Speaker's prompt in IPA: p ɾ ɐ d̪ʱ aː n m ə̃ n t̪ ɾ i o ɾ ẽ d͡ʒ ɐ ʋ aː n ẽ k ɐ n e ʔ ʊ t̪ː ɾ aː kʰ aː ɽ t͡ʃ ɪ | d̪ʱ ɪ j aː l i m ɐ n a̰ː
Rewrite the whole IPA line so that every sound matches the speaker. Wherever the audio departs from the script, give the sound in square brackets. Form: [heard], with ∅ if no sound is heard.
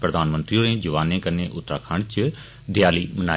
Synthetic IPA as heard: p ɾ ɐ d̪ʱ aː n m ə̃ n t̪ ɾ i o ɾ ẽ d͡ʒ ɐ ʋ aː n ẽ k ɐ n e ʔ ʊ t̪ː ɾ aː kʰ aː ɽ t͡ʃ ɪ | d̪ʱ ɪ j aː l i m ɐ n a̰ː

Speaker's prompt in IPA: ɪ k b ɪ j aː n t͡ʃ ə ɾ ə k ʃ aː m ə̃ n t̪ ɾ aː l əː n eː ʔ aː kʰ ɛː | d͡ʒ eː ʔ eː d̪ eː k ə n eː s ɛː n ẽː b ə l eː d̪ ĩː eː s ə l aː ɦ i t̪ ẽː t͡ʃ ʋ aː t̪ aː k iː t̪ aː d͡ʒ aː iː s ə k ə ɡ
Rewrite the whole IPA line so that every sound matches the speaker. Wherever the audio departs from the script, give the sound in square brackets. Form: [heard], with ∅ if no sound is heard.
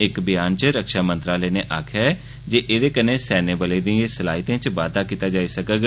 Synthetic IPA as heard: ɪ k b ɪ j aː n t͡ʃ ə ɾ ə k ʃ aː m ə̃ n t̪ ɾ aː l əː n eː ʔ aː kʰ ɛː | d͡ʒ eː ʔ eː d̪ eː k ə n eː s ɛː n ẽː b ə l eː d̪ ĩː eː s ə l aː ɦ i t̪ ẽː t͡ʃ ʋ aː [d̪] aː k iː t̪ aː d͡ʒ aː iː s ə k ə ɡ

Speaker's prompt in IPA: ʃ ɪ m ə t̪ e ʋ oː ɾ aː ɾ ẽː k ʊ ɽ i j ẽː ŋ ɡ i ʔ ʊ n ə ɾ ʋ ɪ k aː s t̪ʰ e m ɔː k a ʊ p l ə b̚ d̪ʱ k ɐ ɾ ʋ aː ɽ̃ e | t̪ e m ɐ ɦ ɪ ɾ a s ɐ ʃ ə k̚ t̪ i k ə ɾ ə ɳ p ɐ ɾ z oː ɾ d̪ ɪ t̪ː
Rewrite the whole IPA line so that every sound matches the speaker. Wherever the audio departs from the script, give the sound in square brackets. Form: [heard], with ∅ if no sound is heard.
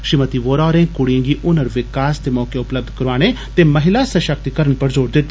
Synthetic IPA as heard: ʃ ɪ m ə t̪ [i] ʋ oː ɾ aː ɾ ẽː k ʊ ɽ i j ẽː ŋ ɡ i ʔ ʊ n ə ɾ ʋ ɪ k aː s [t̪] e m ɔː k [e] ʊ p l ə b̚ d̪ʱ k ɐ ɾ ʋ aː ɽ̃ e | t̪ e m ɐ ɦ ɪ [l] a s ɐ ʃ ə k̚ t̪ i k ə ɾ ə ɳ p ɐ ɾ z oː ɾ d̪ ɪ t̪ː

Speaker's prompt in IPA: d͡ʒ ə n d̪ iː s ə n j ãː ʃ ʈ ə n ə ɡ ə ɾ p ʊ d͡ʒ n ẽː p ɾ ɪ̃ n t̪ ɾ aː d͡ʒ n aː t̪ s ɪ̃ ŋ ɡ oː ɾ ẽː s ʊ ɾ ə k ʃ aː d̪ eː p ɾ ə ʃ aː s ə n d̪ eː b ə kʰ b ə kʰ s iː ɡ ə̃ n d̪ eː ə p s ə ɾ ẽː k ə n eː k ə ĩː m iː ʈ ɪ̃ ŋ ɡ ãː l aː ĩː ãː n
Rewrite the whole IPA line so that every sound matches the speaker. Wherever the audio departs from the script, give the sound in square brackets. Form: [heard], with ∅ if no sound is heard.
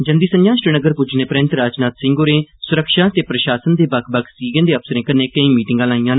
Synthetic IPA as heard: d͡ʒ ə n d̪ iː s ə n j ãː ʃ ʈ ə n ə ɡ ə ɾ p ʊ d͡ʒ n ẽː p ɾ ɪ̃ n t̪ ɾ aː d͡ʒ n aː t̪ s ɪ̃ ŋ ɡ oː ɾ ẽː s ʊ ɾ ə k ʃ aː [t̪] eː p ɾ ə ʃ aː s ə n d̪ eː b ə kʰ b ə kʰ s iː ɡ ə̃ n d̪ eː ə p s ə ɾ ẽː k ə n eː k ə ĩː m iː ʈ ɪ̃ ŋ ɡ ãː l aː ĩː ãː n

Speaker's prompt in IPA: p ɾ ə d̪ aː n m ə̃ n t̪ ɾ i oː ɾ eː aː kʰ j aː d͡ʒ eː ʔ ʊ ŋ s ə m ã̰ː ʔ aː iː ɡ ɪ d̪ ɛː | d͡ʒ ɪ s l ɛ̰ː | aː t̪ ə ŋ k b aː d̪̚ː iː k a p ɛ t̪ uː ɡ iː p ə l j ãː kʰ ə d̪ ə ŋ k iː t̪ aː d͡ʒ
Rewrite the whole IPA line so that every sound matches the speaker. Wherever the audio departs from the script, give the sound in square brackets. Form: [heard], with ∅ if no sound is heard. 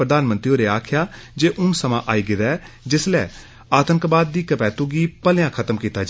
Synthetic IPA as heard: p ɾ ə d̪ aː n m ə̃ n t̪ ɾ i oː ɾ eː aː kʰ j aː d͡ʒ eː ʔ ʊ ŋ s ə m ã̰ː ʔ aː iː ɡ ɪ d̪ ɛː | d͡ʒ ɪ s l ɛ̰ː | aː t̪ ə ŋ k b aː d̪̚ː iː k [ə] p [ɛː] t̪ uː ɡ iː p ə l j ãː kʰ ə [t̪] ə [m] k iː t̪ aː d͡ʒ

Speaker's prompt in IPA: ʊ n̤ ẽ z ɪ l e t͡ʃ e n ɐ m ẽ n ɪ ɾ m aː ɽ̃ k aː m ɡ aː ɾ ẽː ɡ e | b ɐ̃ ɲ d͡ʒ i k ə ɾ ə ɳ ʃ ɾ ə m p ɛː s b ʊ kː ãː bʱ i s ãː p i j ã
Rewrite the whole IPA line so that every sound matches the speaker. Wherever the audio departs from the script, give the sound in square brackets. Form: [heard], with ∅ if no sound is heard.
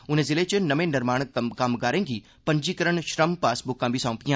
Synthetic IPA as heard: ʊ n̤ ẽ z ɪ l e t͡ʃ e n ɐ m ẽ n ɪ ɾ m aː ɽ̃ k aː m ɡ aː ɾ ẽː ɡ [i] | [p] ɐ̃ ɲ d͡ʒ i k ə ɾ ə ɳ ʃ ɾ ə m p [aː] s b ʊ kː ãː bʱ i s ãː p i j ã

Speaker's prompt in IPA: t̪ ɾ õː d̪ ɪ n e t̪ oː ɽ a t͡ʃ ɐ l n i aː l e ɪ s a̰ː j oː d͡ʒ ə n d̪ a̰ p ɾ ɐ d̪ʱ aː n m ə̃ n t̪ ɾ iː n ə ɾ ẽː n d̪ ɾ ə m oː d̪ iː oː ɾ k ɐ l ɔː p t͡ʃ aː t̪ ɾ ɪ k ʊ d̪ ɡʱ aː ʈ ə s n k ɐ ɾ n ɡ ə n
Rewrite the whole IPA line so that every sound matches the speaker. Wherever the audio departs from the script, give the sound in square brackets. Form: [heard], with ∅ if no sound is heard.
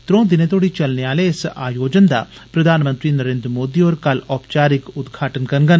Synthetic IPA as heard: t̪ ɾ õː d̪ ɪ n e t̪ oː ɽ [i] t͡ʃ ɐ l n [e] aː l e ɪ s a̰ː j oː d͡ʒ ə n d̪ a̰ p ɾ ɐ d̪ʱ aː n m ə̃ n t̪ ɾ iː n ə ɾ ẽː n d̪ ɾ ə m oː d̪ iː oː ɾ k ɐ l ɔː p t͡ʃ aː [∅] ɾ ɪ k ʊ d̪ ɡʱ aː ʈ ə [∅] n k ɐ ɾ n ɡ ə n

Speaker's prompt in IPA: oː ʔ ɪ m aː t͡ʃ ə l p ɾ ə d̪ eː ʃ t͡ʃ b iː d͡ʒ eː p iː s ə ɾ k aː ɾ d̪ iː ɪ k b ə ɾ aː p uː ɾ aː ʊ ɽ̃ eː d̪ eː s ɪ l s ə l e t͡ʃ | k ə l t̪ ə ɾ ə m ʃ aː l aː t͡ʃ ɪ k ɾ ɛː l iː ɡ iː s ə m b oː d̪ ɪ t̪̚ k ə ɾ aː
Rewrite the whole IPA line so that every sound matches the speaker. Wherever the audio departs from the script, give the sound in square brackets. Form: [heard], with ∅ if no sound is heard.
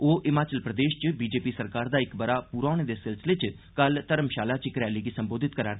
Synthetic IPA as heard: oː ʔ ɪ m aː t͡ʃ ə l p ɾ ə d̪ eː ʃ t͡ʃ b iː d͡ʒ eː p iː s ə ɾ k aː ɾ d̪ [aː] ɪ k b ə ɾ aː p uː ɾ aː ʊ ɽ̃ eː d̪ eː s ɪ l s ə l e t͡ʃ | k ə l t̪ ə ɾ ə m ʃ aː l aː t͡ʃ ɪ k ɾ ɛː l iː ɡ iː s ə m b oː d̪ ɪ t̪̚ k ə ɾ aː

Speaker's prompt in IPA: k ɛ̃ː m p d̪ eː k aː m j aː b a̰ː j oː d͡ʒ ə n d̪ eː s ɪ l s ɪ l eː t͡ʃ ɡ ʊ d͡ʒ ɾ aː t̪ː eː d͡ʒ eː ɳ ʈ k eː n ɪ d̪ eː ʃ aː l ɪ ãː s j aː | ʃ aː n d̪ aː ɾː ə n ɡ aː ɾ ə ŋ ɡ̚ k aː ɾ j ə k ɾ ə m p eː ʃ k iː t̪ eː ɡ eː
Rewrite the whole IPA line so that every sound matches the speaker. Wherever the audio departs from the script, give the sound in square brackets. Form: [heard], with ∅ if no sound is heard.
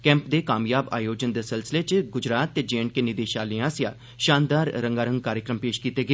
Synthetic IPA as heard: k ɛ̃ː m p d̪ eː k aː m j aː b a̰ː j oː d͡ʒ ə n d̪ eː s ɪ l s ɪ l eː t͡ʃ ɡ ʊ d͡ʒ ɾ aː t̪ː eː d͡ʒ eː ɳ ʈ k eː n ɪ d̪ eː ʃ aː l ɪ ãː s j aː | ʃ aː n d̪ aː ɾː ə [ŋ] ɡ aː ɾ ə ŋ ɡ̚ k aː ɾ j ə k ɾ ə m p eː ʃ k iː t̪ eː ɡ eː

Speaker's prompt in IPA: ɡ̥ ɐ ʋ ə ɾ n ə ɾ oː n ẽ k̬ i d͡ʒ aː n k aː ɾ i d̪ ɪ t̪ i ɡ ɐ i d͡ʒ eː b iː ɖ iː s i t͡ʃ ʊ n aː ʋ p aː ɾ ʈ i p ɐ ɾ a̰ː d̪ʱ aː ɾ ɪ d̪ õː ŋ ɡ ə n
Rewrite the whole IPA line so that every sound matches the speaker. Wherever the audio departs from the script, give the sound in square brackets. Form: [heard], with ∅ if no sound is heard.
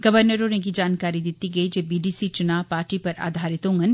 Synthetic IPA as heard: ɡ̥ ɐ ʋ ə ɾ n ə ɾ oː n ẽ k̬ i d͡ʒ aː n k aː ɾ i d̪ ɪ t̪ i ɡ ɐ i d͡ʒ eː b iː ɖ iː s i t͡ʃ ʊ n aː ʋ p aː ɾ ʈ i p ɐ ɾ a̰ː d̪ʱ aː ɾ ɪ [t̪] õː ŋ ɡ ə n

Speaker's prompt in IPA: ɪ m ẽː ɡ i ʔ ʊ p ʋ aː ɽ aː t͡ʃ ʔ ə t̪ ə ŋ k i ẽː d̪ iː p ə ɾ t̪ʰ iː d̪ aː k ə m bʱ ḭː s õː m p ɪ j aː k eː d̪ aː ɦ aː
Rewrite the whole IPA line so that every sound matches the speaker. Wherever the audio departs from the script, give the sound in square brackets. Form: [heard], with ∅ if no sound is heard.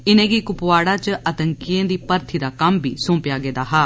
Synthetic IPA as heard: ɪ [n] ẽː ɡ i [k] ʊ p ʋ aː ɽ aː t͡ʃ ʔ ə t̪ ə ŋ k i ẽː d̪ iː p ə ɾ t̪ʰ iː d̪ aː k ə m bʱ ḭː s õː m p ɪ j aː [ɡ] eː d̪ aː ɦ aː

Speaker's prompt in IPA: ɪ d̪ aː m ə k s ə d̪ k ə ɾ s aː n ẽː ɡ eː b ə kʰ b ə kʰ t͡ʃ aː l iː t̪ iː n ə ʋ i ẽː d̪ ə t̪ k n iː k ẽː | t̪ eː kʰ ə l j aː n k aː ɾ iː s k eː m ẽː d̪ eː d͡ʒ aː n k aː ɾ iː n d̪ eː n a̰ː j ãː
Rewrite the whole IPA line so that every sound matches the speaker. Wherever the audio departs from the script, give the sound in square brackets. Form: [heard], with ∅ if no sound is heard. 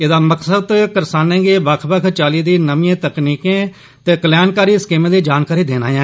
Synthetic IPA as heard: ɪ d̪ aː m ə k s ə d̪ k ə ɾ s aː n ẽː ɡ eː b ə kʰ b ə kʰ t͡ʃ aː l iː [d̪] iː n ə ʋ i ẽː [t̪] ə [∅] k n iː k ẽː | t̪ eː [k] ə l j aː n k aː ɾ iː s k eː m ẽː d̪ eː d͡ʒ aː n k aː ɾ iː [∅] d̪ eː n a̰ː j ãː

